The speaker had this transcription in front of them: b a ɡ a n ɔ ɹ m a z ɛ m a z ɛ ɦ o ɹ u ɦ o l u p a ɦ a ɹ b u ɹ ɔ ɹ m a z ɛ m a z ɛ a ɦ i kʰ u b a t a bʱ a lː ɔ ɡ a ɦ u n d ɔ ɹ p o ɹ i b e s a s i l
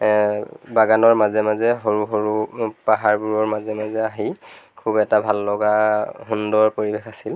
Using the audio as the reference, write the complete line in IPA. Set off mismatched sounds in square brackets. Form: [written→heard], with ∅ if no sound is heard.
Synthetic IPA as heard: b a ɡ a n ɔ ɹ m a z ɛ m a z ɛ ɦ o ɹ u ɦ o [l→ɹ] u p a ɦ a ɹ b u ɹ ɔ ɹ m a z ɛ m a z ɛ a ɦ i kʰ u b [a→ɛ] t a bʱ a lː ɔ ɡ a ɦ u n d ɔ ɹ p o ɹ i b e [s→x] a s i l